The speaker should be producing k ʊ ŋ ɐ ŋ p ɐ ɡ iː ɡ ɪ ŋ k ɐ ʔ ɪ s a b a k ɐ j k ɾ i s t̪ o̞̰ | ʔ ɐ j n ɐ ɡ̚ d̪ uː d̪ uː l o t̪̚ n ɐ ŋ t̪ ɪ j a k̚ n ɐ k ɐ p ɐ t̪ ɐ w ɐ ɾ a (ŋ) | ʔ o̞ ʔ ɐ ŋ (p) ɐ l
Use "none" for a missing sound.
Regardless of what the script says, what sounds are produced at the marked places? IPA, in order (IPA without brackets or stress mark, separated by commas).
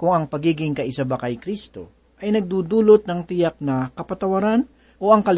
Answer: n, k